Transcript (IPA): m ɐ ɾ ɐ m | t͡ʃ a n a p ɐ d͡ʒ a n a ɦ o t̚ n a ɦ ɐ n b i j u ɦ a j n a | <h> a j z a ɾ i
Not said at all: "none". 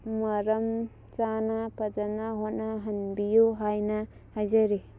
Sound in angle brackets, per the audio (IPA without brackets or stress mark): h